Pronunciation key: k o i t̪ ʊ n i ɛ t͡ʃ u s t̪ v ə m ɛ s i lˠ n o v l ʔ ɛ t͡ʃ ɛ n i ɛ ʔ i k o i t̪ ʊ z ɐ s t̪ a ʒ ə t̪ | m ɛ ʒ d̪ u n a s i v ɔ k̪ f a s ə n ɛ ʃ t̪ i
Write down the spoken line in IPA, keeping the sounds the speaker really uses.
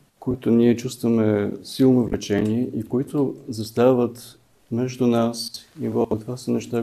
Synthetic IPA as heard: k o i t̪ ʊ n i ɛ t͡ʃ u s t̪ v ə m ɛ s i lˠ n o v l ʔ ɛ t͡ʃ ɛ n i ɛ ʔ i k o i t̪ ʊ z ɐ s t̪ a v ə t̪ | m ɛ ʒ d̪ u n a s i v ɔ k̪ v a s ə n ɛ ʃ t̪ a